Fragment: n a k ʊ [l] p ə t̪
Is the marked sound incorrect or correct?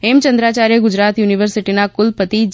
correct